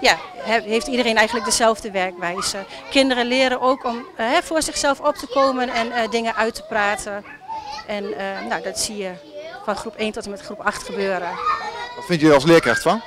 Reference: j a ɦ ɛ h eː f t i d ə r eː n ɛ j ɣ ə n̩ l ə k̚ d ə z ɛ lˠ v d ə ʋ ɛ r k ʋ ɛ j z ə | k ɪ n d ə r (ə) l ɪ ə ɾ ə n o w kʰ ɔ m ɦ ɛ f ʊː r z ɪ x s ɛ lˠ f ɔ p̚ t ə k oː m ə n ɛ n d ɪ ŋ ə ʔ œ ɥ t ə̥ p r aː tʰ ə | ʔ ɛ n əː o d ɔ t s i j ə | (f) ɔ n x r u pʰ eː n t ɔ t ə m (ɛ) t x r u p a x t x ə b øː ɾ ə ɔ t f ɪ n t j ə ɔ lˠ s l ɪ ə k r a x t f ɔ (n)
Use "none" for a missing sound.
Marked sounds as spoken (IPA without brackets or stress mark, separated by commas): ə, f, ɛ, n